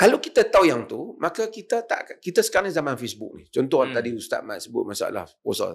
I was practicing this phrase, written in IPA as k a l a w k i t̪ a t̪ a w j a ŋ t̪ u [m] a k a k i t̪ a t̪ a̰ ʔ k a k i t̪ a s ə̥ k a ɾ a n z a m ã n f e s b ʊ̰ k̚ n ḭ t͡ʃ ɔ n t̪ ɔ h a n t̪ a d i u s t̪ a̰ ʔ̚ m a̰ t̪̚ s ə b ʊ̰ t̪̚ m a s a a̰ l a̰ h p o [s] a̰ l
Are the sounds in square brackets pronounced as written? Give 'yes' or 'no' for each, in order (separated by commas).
yes, yes